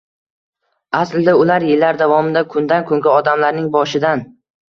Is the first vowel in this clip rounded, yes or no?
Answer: no